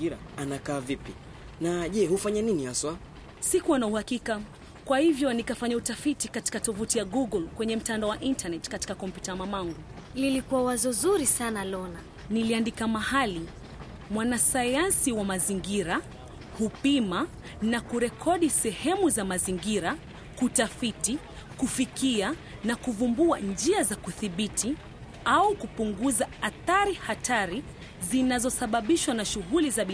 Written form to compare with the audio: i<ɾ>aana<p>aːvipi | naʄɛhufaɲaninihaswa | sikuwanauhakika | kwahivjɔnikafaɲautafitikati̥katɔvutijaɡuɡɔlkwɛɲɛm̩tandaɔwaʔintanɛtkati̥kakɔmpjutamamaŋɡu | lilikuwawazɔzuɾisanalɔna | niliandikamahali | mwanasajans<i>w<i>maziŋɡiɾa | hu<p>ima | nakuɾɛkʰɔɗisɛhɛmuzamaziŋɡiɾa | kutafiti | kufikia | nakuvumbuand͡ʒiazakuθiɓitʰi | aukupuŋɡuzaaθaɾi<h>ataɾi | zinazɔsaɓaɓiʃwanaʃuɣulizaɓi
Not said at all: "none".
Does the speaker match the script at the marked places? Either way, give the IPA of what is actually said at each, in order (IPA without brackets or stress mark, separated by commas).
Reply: ɾ, k, i, a, p, h